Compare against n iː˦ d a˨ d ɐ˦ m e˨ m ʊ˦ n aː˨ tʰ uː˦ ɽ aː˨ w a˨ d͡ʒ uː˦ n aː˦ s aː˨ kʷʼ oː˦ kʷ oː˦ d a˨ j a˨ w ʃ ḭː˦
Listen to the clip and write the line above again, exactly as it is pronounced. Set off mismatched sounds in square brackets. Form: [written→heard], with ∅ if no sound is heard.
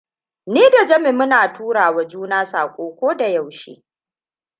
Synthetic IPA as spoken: n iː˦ d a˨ [d→d͡ʒ] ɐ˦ m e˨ m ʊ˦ n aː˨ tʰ uː˦ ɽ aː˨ w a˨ d͡ʒ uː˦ n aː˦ s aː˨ kʷʼ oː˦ kʷ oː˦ d a˨ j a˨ w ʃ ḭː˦